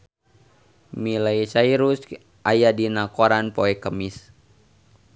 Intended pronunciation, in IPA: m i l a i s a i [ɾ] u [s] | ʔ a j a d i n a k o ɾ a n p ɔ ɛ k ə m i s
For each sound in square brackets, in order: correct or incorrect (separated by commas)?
correct, correct